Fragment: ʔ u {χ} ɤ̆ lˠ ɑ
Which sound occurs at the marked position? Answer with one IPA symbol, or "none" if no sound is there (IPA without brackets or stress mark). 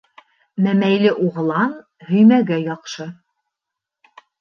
ʁ